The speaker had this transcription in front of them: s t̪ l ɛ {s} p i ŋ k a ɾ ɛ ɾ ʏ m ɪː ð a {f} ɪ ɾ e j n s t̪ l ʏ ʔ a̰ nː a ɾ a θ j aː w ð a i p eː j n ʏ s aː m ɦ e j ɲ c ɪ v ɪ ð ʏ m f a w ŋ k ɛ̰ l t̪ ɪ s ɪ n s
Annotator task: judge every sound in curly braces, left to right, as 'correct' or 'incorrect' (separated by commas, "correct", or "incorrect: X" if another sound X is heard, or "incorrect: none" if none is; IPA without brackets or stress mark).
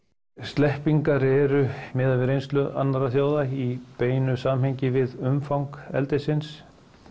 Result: incorrect: h, incorrect: v